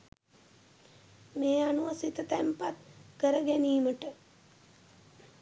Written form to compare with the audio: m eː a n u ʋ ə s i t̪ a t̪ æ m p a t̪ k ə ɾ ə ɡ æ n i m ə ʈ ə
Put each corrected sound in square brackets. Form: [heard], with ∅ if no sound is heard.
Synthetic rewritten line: m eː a n u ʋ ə s i t̪ [ə] t̪ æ m p a t̪ k ə ɾ ə ɡ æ n [iː] m ə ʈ ə

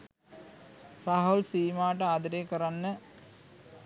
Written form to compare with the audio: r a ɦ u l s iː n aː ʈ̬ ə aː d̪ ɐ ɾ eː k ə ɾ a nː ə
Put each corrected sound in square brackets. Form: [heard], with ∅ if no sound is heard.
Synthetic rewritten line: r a ɦ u l s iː [m] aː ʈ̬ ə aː d̪ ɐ ɾ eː k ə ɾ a nː ə

